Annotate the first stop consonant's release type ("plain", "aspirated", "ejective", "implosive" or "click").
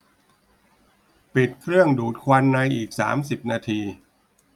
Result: plain